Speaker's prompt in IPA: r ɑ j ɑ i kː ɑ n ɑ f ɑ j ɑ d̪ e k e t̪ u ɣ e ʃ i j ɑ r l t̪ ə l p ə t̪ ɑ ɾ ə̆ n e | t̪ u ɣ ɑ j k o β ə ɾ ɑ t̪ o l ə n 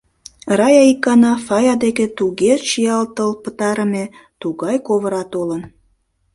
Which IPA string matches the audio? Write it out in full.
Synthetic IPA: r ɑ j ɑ i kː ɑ n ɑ f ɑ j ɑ d̪ e k e t̪ u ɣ e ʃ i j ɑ l t̪ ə l p ə t̪ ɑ ɾ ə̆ m e | t̪ u ɣ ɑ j k o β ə ɾ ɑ t̪ o l ə n

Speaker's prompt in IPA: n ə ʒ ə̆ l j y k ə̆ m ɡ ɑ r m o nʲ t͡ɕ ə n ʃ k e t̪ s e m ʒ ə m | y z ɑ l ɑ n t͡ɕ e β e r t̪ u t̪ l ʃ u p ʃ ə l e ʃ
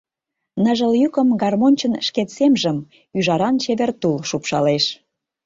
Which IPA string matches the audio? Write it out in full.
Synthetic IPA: n ə ʒ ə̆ l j y k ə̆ m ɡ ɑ r m o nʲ t͡ɕ ə n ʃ k e t̪ s e m ʒ ə m | y ʒ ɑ ɾ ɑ n t͡ɕ e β e r t̪ u l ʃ u p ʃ ɑ l e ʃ

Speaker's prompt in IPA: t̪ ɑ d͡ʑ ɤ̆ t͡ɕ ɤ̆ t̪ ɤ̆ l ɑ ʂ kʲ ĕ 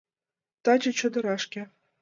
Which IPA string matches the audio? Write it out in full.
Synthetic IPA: t̪ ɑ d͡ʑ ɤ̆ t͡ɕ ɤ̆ d̪ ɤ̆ ɾ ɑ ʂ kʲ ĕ

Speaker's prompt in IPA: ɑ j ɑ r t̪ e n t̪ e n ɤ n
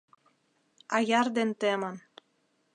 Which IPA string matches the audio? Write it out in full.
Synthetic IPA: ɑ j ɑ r d̪ e n t̪ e m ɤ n

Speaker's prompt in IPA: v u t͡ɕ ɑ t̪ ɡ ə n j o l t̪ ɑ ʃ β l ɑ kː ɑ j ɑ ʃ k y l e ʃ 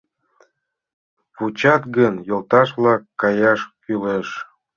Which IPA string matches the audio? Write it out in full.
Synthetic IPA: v u t͡ɕ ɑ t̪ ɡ ə n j o l t̪ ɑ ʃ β l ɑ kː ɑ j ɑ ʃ k y l e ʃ

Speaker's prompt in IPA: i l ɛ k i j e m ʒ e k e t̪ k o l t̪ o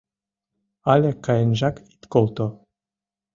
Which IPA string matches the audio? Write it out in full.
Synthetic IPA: a l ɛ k a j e n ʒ a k i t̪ k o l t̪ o

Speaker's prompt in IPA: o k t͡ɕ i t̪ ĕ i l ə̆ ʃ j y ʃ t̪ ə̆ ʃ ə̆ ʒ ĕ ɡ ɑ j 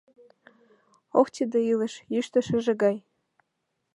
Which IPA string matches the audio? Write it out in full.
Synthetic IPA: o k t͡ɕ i d̪ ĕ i l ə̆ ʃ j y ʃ t̪ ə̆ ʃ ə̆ ʒ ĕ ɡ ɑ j

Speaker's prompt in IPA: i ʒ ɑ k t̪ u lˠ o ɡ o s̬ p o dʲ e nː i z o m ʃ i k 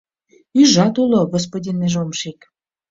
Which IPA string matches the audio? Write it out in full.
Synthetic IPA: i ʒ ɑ t̪ u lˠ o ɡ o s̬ p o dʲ i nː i ʒ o m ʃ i k

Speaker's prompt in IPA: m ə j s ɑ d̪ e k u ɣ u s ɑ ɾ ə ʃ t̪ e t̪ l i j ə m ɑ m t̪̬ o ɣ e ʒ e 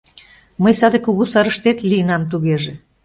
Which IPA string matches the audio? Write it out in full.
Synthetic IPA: m ə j s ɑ d̪ e k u ɣ u s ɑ ɾ ə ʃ t̪ e t̪ l i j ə n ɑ m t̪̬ u ɣ e ʒ e

